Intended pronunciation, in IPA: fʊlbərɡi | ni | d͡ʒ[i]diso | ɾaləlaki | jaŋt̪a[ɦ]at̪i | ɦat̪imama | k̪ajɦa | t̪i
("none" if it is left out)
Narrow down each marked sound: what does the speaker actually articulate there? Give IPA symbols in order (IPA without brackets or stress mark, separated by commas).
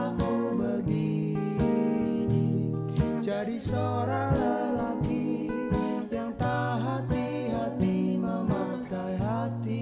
a, ɦ